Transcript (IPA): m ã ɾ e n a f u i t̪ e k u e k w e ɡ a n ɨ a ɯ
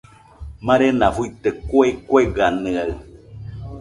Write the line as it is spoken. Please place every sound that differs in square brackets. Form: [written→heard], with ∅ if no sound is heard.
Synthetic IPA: m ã ɾ e n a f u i t̪ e k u e k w e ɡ a n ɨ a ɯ